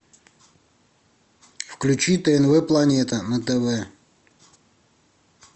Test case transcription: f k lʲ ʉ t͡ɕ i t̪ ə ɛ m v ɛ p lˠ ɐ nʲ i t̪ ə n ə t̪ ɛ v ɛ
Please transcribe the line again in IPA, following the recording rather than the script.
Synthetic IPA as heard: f k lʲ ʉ t͡ɕ i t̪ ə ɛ n v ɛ p lˠ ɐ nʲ e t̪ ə n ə t̪ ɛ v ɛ